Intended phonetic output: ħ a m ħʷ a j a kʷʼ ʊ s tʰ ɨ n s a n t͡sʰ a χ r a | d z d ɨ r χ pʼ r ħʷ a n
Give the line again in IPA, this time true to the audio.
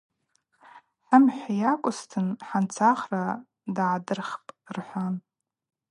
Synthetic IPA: ħ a m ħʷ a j a kʷʼ ʊ s tʰ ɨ n ħ a n t͡sʰ a χ r a | d ʕ d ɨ r χ pʼ r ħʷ a n

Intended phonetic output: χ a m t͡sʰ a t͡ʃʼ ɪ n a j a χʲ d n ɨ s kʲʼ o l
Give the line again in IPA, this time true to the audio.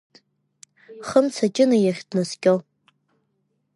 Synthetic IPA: χ ə m t͡sʰ a t͡ʃʼ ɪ n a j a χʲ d n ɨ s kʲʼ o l

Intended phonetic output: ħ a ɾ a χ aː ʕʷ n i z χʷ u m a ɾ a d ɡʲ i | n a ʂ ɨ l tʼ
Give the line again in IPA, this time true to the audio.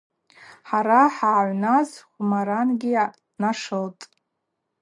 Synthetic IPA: ħ a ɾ a ħ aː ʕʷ n a z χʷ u m a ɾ a n ɡʲ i | n a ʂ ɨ l tʼ

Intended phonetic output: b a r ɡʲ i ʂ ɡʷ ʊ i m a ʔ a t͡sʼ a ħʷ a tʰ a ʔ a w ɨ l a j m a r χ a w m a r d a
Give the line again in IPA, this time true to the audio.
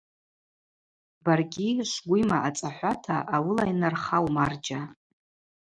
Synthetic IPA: b a r ɡʲ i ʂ ɡʷ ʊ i m a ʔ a t͡sʼ a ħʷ a tʰ a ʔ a w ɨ l a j n a r χ a w m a r d͡ʒ a

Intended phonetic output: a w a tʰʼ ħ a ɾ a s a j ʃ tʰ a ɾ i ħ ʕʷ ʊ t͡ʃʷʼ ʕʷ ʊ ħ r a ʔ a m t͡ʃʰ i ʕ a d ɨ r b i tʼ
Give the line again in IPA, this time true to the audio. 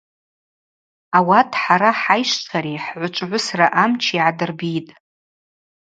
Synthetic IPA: a w a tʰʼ ħ a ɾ a ħ a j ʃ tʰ a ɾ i ħ ʕʷ ʊ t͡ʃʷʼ ʕʷ ʊ s r a ʔ a m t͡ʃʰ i ʕ a d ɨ r b i tʼ

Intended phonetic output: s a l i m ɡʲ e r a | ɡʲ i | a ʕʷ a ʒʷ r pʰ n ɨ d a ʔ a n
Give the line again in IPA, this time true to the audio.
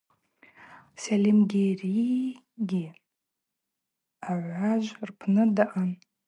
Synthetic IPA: s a l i m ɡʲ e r i | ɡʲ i | a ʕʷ a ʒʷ r pʰ n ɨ d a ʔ a n

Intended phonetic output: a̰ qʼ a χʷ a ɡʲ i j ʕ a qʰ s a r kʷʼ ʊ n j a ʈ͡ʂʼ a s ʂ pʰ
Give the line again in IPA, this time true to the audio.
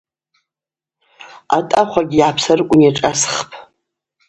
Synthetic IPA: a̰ tʼ a χʷ a ɡʲ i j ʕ a pʰ s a r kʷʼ ʊ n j a ʈ͡ʂʼ a s χ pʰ

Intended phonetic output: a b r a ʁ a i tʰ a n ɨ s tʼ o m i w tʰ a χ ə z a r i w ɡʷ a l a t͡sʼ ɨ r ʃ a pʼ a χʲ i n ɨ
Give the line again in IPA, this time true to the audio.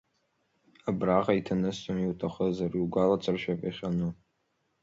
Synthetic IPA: a b r a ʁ a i tʰ a n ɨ s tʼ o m i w tʰ a χ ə z a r i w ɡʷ a l a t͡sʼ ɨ r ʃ a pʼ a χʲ a n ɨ

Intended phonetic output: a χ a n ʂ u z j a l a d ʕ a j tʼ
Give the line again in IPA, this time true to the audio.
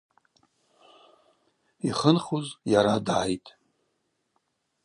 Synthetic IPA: i χ ə n χ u z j a ɾ a d ʕ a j tʼ

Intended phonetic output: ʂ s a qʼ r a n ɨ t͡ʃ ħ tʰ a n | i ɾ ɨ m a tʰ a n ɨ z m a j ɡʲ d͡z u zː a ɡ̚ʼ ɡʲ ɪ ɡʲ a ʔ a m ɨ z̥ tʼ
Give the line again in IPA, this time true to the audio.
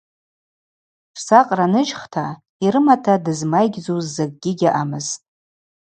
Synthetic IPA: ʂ s a qʼ r a n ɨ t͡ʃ χ tʰ a | i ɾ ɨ m a tʰ a d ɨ z m a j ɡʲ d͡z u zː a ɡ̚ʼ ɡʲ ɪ ɡʲ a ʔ a m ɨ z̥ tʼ

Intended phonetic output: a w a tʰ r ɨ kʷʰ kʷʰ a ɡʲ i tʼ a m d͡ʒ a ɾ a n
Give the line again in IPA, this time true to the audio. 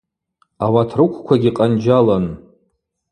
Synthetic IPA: a w a tʰ r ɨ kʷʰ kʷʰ a ɡʲ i qʼ a n d͡ʒ a l a n

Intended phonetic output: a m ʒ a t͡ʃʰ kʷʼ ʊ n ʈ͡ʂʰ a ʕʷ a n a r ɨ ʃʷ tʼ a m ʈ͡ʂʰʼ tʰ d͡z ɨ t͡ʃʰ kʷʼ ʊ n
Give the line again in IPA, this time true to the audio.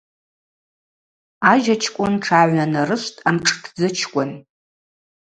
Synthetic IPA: a ʒ a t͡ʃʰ kʷʼ ʊ n ʈ͡ʂʰ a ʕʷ a n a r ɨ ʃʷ tʼ a m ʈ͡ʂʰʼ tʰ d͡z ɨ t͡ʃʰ kʷʼ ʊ n

